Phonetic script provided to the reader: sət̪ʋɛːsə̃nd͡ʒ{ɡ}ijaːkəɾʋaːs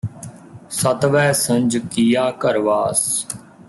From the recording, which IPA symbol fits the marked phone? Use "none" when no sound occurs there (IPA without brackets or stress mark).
k